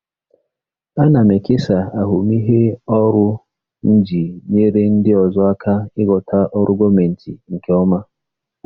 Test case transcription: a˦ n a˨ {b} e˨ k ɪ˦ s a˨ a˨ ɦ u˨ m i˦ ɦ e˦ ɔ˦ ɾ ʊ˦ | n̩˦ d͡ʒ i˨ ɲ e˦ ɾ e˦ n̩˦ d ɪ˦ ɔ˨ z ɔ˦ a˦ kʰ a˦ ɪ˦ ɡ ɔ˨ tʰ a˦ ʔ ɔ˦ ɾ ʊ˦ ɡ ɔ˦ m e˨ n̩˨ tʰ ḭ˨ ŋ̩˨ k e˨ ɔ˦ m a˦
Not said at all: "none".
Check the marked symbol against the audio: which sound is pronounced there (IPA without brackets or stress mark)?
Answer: m